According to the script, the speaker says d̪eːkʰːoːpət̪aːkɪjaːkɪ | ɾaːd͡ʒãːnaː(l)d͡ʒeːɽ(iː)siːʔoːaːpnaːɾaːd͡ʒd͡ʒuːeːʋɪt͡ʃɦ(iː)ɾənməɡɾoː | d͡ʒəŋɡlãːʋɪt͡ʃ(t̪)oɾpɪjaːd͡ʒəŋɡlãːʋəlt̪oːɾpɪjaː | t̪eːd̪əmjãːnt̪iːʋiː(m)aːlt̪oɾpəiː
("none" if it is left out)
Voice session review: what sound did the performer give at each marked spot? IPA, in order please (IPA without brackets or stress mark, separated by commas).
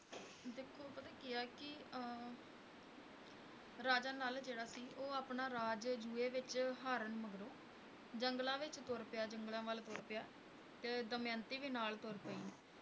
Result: l, aː, aː, t̪, n